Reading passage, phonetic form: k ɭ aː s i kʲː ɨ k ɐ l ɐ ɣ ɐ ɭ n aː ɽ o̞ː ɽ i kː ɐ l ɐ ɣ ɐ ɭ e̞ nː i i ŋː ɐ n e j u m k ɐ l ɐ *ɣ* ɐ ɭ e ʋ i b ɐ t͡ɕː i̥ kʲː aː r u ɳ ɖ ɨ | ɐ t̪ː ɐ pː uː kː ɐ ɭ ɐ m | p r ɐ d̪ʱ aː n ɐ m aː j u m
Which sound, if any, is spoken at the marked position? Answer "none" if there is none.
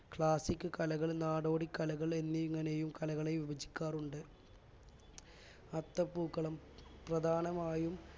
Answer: ɣ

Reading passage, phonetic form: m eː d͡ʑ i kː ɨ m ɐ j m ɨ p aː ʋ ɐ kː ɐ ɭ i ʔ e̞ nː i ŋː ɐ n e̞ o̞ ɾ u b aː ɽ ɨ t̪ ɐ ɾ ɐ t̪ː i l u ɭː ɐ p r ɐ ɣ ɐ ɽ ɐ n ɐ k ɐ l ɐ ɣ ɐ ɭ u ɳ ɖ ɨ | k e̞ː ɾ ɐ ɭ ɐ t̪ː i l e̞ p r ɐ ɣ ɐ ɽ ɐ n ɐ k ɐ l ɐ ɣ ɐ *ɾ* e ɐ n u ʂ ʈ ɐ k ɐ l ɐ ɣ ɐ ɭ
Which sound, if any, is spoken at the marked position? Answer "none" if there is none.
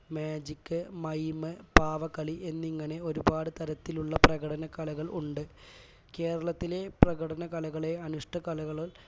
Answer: ɭ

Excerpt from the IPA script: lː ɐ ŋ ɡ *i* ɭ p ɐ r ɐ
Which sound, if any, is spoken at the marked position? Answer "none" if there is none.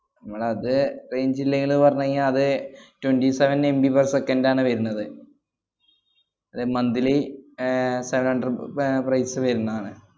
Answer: i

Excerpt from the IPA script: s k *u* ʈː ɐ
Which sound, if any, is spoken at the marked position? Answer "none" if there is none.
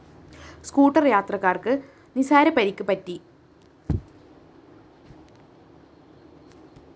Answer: uː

